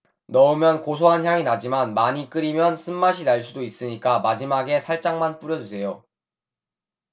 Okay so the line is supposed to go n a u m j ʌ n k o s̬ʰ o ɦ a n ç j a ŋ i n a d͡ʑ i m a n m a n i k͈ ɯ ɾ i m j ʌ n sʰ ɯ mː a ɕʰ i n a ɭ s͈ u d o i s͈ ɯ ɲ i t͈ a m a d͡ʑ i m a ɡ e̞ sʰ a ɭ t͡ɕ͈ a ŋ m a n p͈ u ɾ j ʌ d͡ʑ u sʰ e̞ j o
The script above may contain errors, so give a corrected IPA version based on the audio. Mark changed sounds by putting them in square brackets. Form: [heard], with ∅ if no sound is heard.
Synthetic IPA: n [ʌ] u m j ʌ n k o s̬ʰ o ɦ a n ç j a ŋ i n a d͡ʑ i m a n m a [ɲ] i k͈ ɯ ɾ i m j ʌ n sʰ ɯ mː a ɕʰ i n a ɭ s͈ u d o i s͈ ɯ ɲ i [k͈] a m a d͡ʑ i m a ɡ e̞ sʰ a ɭ t͡ɕ͈ a ŋ m a n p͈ u ɾ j ʌ d͡ʑ u sʰ e̞ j o